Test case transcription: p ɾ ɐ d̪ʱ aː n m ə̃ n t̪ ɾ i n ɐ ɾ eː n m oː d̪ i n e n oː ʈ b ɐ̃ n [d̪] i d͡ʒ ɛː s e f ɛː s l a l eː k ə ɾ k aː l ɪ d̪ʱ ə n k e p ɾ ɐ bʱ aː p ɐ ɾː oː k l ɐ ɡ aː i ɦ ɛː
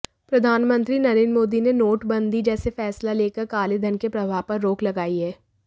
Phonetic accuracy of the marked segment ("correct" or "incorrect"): correct